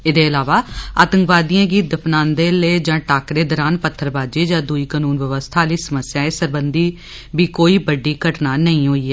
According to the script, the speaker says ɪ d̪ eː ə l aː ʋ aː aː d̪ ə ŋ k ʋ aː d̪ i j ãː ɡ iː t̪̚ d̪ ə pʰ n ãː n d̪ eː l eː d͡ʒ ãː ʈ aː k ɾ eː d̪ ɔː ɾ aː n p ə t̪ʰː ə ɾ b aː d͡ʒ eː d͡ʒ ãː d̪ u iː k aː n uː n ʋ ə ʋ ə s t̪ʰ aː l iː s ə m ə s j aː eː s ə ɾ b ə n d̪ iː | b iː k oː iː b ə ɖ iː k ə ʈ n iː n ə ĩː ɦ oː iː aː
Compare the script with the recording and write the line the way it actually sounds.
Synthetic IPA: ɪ d̪ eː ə l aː ʋ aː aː t̪ ə ŋ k ʋ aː d̪ i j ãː ɡ iː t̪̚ d̪ ə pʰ n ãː n d̪ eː l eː d͡ʒ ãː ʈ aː k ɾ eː d̪ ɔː ɾ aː n p ə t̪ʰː ə ɾ b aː d͡ʒ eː d͡ʒ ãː d̪ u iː k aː n uː n ʋ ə ʋ ə s t̪ʰ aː l iː s ə m ə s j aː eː s ə ɾ b ə n d̪ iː | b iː k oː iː b ə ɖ iː k ə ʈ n aː n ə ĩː ɦ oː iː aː